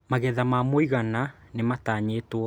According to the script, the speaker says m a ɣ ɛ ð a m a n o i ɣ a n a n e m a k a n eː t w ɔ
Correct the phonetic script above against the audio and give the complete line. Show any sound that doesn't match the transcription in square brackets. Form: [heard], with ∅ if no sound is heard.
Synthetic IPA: m a ɣ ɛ ð a m a [m] o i ɣ a n a n e m a [t] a [ɲ] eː t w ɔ